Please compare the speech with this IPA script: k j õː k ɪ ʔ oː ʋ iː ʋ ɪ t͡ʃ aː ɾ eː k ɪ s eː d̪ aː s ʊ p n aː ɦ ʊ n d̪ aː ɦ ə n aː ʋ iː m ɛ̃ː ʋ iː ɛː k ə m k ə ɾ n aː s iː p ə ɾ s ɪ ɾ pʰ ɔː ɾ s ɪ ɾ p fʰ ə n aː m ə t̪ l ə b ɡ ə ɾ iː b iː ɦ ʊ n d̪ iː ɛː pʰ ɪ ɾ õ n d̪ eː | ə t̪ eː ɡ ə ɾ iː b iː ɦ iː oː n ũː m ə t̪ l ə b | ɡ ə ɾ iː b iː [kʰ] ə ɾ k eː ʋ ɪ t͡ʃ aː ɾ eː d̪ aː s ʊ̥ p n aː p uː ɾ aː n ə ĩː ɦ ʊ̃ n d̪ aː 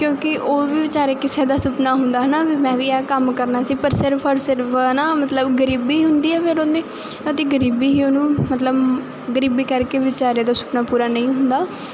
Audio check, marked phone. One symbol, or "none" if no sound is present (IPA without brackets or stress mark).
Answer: k